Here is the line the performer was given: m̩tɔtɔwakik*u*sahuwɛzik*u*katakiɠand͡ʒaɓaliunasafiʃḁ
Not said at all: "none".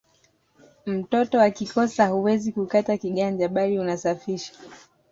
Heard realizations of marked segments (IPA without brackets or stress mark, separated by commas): ɔ, u